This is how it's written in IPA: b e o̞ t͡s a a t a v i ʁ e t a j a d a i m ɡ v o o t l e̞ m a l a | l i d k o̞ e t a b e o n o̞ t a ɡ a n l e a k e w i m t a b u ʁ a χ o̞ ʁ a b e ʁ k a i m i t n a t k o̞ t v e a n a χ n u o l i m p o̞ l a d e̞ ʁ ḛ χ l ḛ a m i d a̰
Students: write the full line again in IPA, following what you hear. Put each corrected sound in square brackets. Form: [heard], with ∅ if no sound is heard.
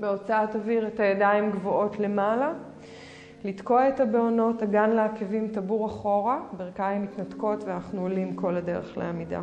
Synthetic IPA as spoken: b e o̞ t͡s a a t a v i ʁ e t a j a d a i m ɡ v o o t l e̞ m a l a | l i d k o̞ e t a b e o n o̞ t a ɡ a n l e a k e [v] i m t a b u ʁ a χ o̞ ʁ a b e ʁ k a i m i t n a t k o̞ t v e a n a χ n u o l i m [k] o̞ l a d e̞ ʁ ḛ χ l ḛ a m i d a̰